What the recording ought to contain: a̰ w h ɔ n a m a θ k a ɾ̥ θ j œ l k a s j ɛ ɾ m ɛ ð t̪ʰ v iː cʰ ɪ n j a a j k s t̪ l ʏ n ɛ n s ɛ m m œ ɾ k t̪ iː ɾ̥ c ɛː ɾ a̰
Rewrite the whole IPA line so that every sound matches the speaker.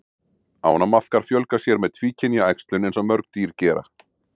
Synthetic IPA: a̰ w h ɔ n a m a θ k a ɾ̥ f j œ l k a s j ɛ ɾ m ɛ ð t̪ʰ v iː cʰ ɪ n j a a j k s t̪ l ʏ n ɛ n s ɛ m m œ ɾ k t̪ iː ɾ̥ c ɛː ɾ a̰